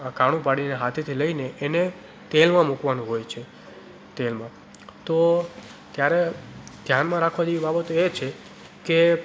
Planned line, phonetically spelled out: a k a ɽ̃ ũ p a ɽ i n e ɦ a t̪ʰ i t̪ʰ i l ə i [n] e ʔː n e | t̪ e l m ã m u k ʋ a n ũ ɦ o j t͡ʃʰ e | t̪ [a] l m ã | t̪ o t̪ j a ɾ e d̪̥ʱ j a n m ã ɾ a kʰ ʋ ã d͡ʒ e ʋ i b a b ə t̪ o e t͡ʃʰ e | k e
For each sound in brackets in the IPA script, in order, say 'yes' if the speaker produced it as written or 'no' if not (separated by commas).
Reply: yes, no